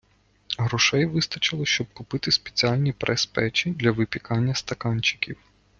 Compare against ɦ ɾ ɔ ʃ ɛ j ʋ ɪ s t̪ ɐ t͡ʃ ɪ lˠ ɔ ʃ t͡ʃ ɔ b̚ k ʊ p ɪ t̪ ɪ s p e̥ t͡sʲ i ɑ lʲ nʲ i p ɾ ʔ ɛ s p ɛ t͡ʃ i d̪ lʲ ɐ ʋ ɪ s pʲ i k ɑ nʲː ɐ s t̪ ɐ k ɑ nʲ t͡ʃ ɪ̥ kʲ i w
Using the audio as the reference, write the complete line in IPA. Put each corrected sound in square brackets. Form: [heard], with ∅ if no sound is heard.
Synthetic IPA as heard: ɦ ɾ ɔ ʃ ɛ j ʋ ɪ s t̪ ɐ t͡ʃ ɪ lˠ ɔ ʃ t͡ʃ ɔ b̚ k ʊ p ɪ t̪ ɪ s p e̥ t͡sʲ i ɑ lʲ nʲ i p ɾ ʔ ɛ s p ɛ t͡ʃ i d̪ lʲ ɐ ʋ ɪ [∅] pʲ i k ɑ nʲː ɐ s t̪ ɐ k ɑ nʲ t͡ʃ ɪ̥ kʲ i w